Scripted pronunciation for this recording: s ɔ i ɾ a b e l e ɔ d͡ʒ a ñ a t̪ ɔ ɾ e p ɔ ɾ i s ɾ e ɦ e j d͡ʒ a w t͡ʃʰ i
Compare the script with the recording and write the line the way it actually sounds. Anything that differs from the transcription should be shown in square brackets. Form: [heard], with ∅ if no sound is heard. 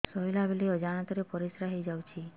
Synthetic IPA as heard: s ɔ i [l] a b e l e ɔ d͡ʒ a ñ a t̪ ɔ ɾ e p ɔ ɾ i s ɾ [a] ɦ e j d͡ʒ a w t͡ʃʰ i

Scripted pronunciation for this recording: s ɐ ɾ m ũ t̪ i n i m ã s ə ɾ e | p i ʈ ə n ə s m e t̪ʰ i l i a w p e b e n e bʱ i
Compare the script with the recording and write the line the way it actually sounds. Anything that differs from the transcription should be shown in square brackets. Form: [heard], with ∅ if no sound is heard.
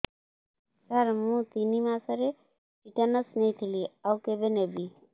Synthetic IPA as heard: s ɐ ɾ m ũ t̪ i n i m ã s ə ɾ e | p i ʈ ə n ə s [n] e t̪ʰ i l i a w [k] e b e n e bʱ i

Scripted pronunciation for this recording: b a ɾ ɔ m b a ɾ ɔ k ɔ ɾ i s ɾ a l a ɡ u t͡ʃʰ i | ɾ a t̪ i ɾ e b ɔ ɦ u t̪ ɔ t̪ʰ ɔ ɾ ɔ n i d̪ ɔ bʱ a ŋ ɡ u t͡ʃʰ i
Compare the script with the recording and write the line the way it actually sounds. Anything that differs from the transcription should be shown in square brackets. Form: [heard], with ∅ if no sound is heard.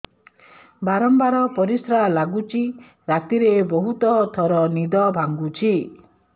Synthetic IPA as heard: b a ɾ ɔ m b a ɾ ɔ [p] ɔ ɾ i s ɾ a l a ɡ u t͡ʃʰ i | ɾ a t̪ i ɾ e b ɔ ɦ u t̪ ɔ t̪ʰ ɔ ɾ ɔ n i d̪ ɔ bʱ a ŋ ɡ u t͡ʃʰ i

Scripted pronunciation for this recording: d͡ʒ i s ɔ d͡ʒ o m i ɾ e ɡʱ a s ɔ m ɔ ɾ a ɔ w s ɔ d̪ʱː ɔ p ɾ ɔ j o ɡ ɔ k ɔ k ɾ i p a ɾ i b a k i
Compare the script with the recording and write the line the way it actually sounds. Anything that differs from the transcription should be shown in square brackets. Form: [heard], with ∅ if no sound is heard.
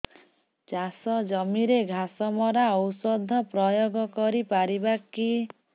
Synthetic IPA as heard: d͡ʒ [a] s ɔ d͡ʒ [ɔ] m i ɾ e ɡʱ a s ɔ m ɔ ɾ a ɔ w s ɔ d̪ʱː ɔ p ɾ ɔ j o ɡ ɔ k ɔ [∅] ɾ i p a ɾ i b a k i

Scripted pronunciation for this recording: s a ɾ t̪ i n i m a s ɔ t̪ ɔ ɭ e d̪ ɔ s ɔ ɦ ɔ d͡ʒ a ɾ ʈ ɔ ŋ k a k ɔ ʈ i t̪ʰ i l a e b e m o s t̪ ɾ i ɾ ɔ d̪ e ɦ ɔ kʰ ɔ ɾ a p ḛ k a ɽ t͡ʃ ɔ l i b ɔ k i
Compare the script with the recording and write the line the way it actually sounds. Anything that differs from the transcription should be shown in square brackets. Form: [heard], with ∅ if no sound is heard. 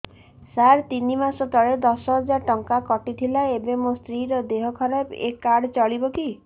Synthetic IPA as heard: s a ɾ t̪ i n i m a s ɔ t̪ ɔ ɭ e d̪ ɔ s ɔ ɦ ɔ d͡ʒ a ɾ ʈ ɔ ŋ k a k ɔ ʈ i t̪ʰ i l a e b e m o s t̪ ɾ i ɾ ɔ d̪ e ɦ ɔ kʰ ɔ ɾ a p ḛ k a ɽ t͡ʃ ɔ [ɭ] i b ɔ k i

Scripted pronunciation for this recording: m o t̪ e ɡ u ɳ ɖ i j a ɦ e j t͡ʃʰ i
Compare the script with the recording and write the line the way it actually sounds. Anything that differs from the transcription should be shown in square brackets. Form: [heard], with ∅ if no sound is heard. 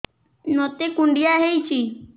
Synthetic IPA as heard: [n] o t̪ e [k] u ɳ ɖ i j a ɦ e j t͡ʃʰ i

